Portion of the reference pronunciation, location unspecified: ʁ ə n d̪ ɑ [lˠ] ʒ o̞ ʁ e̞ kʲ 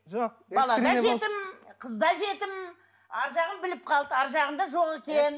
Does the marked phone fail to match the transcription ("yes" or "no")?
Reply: yes